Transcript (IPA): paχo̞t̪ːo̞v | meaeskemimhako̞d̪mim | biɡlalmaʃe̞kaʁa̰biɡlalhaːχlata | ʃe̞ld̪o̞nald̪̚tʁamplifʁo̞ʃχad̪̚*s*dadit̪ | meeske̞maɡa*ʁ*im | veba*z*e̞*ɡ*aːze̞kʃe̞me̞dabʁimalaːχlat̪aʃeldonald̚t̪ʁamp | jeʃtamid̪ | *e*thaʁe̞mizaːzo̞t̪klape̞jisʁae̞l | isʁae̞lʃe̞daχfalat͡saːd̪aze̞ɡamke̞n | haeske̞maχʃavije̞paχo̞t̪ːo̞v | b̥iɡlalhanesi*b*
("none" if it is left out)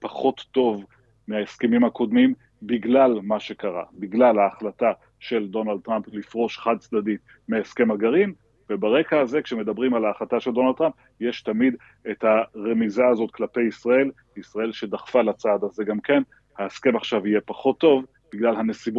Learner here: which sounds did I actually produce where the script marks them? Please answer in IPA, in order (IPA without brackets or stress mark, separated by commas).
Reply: t͡s, ʁ, ʁ, k, e, b